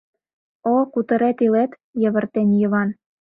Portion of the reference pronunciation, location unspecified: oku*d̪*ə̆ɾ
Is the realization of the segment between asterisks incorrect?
yes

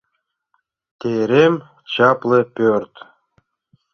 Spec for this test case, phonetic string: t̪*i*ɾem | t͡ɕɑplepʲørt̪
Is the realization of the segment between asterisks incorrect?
yes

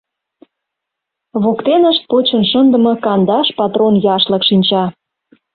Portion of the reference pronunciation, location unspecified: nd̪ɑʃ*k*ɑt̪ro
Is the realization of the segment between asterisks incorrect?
yes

